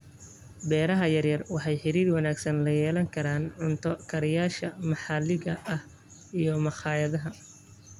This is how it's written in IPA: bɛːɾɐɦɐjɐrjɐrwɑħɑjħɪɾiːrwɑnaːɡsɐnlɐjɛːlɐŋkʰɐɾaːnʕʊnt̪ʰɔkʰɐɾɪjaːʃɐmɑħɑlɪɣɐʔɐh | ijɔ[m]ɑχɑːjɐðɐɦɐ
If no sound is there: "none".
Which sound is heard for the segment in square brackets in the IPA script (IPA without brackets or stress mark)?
m